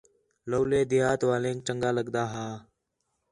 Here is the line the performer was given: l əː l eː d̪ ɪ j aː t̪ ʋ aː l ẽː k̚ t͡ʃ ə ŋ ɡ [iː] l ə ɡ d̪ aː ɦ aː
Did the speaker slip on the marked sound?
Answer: yes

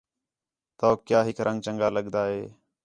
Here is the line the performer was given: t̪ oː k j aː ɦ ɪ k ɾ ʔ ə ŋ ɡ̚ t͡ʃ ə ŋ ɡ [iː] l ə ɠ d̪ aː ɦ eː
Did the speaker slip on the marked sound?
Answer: yes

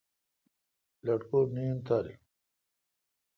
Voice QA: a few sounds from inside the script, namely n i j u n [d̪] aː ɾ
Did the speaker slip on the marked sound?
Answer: yes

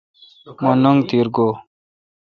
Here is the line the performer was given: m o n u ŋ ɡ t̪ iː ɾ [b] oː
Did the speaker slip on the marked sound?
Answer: yes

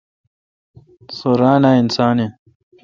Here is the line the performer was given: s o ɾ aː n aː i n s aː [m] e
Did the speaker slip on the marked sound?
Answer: yes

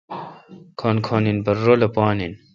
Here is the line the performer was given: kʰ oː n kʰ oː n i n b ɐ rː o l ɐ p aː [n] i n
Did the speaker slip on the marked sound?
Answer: no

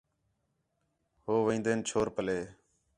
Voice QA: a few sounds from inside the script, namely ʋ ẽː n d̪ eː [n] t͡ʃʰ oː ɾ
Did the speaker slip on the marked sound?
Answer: no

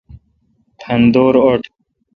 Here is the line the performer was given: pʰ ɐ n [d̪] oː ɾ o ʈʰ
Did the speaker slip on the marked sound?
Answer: no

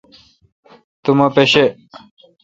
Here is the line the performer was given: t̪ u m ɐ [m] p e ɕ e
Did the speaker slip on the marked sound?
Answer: yes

